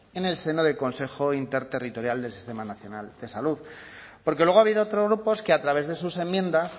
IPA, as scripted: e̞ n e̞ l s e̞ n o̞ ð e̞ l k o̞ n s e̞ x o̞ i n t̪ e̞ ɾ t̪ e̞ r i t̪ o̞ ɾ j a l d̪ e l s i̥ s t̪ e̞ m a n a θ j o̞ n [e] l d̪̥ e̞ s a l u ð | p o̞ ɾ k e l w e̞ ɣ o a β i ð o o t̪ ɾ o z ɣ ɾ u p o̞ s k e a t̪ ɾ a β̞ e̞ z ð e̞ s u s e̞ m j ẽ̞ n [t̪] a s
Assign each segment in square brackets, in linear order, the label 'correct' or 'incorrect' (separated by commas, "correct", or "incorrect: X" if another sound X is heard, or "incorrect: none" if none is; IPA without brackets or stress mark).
incorrect: a, incorrect: d̪